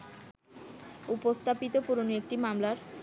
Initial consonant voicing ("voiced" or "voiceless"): voiceless